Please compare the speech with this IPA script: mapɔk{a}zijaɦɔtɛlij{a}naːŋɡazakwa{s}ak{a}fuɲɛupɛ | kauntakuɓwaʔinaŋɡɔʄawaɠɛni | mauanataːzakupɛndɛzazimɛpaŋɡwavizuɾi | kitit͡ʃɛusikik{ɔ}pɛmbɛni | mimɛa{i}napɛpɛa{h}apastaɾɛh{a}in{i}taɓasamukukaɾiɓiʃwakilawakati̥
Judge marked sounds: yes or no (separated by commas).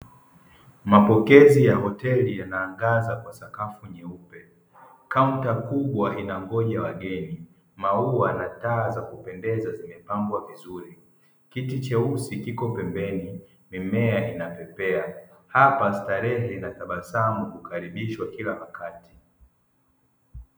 no, yes, yes, yes, yes, yes, yes, no, no